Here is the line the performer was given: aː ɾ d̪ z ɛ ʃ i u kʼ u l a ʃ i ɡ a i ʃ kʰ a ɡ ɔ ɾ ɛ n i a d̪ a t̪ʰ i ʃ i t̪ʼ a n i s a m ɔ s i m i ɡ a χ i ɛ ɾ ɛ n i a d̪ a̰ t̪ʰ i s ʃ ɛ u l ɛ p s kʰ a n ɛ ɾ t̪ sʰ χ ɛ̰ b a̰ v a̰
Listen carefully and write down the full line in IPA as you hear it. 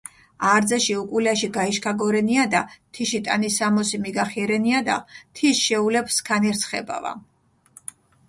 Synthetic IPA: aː ɾ d̪ z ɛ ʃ i u kʼ u l a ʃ i ɡ a i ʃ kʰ a ɡ ɔ ɾ ɛ n i a d̪ a t̪ʰ i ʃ i t̪ʼ a n i s a m ɔ s i m i ɡ a χ i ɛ ɾ ɛ n i a d̪ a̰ t̪ʰ i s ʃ ɛ u l ɛ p s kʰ a n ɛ ɾ t̪ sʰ χ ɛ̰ b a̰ v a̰